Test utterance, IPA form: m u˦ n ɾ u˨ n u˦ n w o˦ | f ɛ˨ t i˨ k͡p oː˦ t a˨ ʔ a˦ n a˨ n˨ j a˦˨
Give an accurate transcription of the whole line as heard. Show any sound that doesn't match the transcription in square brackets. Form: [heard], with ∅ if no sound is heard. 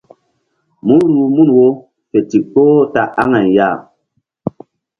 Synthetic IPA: m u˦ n ɾ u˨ [m] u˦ n w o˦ | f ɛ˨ t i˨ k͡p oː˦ t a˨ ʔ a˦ [ŋ] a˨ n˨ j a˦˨